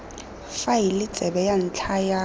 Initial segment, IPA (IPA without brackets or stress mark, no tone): f